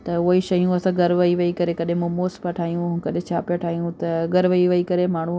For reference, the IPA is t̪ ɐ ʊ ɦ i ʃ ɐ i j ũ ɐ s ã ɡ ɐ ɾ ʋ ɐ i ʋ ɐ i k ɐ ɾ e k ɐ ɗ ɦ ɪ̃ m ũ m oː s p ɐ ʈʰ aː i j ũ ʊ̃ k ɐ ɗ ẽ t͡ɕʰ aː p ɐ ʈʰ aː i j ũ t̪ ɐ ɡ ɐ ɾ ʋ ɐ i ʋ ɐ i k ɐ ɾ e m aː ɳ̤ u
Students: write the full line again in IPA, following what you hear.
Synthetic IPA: t̪ ɐ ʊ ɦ i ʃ ɐ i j ũ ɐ s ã ɡ ɐ ɾ ʋ ɐ i ʋ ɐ i k ɐ ɾ e k ɐ ɗ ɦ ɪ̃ m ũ m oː s p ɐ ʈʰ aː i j ũ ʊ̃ k ɐ ɗ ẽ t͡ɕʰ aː p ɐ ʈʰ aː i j ũ t̪ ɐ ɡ ɐ ɾ ʋ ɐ i ʋ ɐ i k ɐ ɾ e m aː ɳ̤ u